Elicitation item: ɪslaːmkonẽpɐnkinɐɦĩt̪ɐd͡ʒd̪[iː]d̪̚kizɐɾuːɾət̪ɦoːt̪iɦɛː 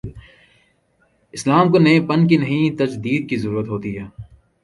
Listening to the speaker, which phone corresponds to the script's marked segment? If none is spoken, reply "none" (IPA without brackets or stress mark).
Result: iː